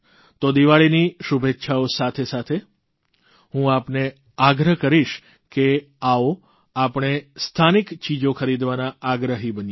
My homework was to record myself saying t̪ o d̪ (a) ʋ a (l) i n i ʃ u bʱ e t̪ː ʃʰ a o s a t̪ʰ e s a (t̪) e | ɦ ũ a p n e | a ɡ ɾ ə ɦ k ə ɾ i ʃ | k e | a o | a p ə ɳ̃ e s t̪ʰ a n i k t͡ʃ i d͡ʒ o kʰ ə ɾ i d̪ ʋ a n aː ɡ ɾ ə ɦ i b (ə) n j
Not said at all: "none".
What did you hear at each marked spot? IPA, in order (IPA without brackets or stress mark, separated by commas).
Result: i, ɭ, t̪ʰ, ə